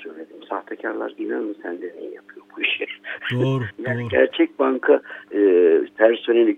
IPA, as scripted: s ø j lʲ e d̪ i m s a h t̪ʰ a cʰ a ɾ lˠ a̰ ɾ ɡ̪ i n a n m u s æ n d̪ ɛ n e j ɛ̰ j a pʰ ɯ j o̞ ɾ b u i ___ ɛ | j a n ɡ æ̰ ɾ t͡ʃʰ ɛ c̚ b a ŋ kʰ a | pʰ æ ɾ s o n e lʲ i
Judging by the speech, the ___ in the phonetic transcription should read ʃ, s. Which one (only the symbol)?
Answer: ʃ